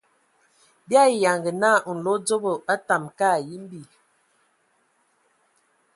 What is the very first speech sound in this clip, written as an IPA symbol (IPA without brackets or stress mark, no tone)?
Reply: b